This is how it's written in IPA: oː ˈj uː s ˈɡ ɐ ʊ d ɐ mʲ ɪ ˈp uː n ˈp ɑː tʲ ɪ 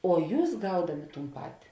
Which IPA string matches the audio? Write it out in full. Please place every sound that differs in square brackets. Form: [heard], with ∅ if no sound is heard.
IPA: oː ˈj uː s ˈɡ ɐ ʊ d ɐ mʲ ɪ [ˈt] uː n ˈp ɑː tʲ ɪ